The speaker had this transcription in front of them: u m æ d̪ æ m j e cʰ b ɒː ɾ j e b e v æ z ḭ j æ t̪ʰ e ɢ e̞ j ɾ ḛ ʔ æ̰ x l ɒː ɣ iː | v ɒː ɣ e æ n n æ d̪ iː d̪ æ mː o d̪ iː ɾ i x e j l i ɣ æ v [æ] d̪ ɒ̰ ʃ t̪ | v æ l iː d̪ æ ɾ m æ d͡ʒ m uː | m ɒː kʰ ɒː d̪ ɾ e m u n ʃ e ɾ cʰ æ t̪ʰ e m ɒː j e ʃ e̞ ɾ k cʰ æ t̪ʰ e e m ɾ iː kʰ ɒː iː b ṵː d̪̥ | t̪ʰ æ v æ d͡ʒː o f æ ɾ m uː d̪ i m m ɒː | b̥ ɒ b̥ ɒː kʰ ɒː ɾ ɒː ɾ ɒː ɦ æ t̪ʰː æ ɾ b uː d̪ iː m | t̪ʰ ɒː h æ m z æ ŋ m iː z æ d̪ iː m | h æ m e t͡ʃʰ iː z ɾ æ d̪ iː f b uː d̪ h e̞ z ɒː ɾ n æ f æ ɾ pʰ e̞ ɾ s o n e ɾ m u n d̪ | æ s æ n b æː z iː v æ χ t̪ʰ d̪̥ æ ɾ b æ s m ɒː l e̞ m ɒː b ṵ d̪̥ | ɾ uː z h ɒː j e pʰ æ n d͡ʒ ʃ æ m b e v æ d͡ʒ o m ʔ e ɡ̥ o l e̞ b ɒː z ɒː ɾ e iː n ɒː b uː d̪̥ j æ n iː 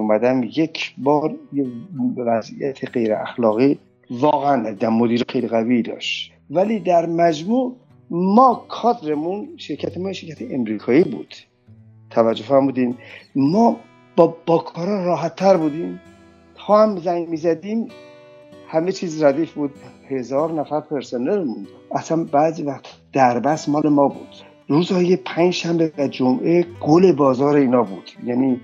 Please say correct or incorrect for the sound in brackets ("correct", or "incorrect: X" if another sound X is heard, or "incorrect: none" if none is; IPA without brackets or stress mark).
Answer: incorrect: i